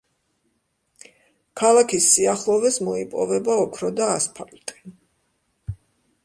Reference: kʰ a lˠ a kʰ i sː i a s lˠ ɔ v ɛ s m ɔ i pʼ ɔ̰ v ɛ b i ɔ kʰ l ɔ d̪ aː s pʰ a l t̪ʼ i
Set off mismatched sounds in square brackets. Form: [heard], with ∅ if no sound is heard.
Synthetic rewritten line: kʰ a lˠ a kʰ i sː i a [χ] lˠ ɔ v ɛ s m ɔ i pʼ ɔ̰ v ɛ b [a] ɔ kʰ [ɾ] ɔ d̪ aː s pʰ a l t̪ʼ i